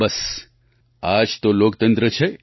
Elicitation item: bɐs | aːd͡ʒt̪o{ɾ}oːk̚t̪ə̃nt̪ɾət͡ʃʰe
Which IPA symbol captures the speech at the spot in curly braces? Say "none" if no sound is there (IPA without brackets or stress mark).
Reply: l